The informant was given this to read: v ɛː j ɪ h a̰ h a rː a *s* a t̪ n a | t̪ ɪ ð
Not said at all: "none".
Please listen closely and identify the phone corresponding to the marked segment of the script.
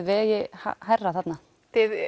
θ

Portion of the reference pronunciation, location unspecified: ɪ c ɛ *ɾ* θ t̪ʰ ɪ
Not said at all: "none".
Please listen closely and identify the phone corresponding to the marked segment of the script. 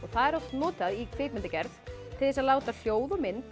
ɾ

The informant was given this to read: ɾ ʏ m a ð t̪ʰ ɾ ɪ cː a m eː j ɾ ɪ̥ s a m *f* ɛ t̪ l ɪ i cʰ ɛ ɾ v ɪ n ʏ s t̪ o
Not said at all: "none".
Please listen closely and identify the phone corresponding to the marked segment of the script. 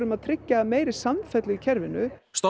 f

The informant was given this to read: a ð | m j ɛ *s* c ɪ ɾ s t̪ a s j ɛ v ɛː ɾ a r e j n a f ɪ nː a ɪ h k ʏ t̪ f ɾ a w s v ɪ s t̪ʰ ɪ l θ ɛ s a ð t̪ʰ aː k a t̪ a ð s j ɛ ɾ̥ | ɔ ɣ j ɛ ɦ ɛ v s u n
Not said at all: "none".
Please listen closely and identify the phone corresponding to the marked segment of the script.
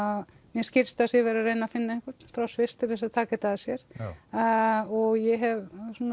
s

